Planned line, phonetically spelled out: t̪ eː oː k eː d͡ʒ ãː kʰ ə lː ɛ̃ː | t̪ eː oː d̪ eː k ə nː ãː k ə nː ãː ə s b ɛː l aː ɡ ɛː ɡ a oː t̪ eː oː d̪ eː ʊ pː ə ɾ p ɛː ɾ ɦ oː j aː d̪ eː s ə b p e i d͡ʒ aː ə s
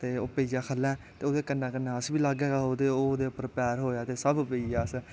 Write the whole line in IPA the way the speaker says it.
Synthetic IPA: t̪ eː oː p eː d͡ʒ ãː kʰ ə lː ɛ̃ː | t̪ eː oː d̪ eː k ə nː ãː k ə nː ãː ə s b iː l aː ɡ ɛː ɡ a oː d̪ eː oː d̪ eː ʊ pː ə ɾ p ɛː ɾ ɦ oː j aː t̪ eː s ə b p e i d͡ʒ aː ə s

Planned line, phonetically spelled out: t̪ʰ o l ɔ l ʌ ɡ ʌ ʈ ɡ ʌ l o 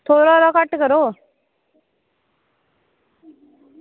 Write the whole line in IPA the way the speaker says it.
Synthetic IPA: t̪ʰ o ɾ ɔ ɾ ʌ k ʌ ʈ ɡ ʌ ɾ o

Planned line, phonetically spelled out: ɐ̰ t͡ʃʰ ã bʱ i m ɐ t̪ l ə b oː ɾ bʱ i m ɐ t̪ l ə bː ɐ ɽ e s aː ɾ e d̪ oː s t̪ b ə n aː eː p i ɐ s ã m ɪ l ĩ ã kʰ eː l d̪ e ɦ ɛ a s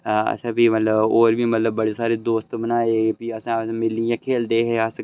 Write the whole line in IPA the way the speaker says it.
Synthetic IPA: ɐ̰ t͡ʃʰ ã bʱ i m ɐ t̪ l ə b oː ɾ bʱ i m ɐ t̪ l ə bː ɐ ɽ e s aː ɾ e d̪ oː s t̪ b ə n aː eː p i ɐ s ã m ɪ l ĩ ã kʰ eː l d̪ e ɦ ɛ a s

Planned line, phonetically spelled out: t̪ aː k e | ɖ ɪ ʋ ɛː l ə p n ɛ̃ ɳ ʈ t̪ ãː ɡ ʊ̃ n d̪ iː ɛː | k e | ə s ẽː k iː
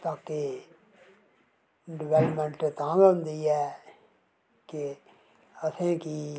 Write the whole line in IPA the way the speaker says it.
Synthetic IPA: t̪ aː k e | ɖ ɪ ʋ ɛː l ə p m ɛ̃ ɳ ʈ t̪ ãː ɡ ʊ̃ n d̪ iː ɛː | k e | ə s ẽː k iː

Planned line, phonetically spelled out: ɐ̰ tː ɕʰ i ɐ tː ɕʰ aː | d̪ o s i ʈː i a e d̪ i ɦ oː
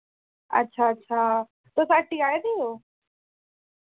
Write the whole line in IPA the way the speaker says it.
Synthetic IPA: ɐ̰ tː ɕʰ a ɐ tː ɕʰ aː | t̪ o s a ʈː i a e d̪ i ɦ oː

